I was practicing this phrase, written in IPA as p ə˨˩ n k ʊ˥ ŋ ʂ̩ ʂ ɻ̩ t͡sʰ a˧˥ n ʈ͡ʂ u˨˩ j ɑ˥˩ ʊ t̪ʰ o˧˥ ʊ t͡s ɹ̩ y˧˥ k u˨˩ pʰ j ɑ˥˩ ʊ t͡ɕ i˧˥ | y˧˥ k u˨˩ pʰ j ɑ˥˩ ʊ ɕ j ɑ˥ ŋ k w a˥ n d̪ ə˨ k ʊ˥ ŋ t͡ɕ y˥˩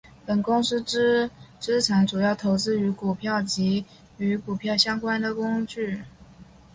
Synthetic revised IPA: p ə˨˩ n k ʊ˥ ŋ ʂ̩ ʈ͡ʂ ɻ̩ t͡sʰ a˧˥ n ʈ͡ʂ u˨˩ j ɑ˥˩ ʊ t̪ʰ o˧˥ ʊ t͡s ɹ̩ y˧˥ k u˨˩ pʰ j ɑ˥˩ ʊ t͡ɕ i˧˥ | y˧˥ k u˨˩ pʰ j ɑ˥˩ ʊ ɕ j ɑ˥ ŋ k w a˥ n d̪ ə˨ k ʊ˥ ŋ t͡ɕ y˥˩